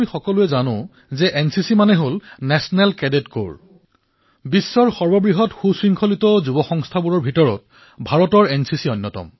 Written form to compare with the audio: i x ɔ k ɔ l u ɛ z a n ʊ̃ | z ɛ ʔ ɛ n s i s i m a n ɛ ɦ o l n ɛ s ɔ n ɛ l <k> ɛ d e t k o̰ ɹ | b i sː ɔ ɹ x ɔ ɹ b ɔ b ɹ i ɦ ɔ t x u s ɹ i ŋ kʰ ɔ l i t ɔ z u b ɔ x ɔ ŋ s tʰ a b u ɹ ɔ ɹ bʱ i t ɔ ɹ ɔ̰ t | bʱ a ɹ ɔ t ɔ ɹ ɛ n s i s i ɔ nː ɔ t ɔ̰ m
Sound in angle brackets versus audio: correct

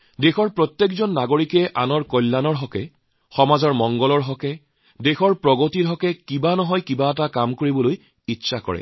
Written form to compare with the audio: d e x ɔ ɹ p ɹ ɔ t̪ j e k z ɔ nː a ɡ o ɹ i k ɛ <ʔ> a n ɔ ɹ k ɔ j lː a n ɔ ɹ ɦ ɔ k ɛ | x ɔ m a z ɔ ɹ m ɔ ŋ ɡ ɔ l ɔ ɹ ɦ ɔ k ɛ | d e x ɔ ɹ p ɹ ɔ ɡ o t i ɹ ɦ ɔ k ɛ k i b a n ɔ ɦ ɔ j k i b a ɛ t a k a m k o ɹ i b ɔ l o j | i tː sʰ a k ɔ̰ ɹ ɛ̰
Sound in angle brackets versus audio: correct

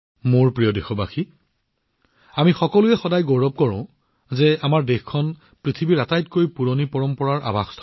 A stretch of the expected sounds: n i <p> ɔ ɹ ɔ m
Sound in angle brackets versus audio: correct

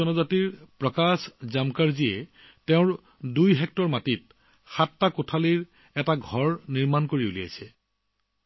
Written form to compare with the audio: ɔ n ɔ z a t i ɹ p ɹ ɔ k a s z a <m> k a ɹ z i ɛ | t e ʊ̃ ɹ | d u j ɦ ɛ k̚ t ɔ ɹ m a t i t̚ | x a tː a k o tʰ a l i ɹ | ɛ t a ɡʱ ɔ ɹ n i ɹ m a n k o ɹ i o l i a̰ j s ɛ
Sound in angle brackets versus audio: correct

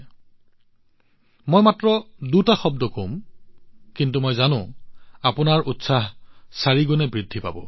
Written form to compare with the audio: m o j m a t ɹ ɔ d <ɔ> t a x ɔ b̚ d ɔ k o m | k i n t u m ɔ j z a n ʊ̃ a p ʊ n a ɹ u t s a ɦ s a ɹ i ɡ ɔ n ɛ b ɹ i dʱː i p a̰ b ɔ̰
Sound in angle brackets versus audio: incorrect: u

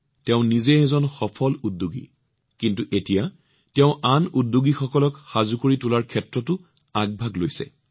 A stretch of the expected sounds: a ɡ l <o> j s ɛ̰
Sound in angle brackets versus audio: correct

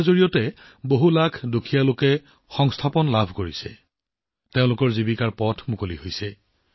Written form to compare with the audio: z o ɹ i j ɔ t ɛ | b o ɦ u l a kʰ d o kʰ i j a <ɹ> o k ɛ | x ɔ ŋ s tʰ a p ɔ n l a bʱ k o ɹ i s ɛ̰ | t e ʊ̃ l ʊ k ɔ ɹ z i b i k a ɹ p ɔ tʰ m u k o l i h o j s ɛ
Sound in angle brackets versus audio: incorrect: l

